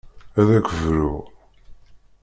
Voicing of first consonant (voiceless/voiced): voiced